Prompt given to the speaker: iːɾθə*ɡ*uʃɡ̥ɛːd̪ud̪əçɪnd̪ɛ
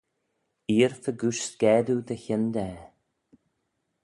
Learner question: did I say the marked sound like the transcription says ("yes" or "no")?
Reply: yes